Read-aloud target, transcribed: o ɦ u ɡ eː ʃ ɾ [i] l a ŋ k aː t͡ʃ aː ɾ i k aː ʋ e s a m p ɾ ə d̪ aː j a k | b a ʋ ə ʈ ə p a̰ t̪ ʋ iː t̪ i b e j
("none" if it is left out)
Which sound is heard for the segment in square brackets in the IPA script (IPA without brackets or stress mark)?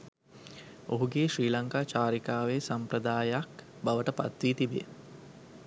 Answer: iː